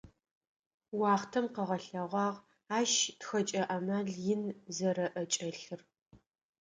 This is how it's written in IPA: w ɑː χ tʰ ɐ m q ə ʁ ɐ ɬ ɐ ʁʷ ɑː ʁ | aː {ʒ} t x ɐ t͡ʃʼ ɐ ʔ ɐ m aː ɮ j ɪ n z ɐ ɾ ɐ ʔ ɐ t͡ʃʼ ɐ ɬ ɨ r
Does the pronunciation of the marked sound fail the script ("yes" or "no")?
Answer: yes